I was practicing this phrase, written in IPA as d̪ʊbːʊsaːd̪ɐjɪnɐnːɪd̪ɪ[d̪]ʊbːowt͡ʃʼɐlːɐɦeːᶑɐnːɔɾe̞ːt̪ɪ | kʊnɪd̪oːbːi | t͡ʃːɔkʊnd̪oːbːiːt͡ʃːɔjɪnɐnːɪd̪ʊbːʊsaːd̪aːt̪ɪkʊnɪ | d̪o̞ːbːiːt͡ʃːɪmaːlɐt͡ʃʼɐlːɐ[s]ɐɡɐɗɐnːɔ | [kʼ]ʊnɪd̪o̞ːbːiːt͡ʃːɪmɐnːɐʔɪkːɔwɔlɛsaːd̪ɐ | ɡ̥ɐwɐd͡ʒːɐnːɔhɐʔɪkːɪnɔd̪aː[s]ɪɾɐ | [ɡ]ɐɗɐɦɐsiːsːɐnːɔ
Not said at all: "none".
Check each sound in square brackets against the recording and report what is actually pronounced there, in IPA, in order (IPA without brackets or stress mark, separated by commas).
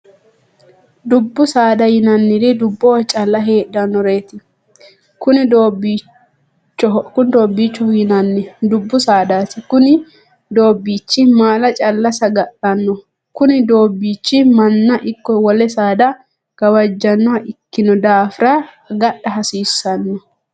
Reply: d̪, s, k, f, ɡ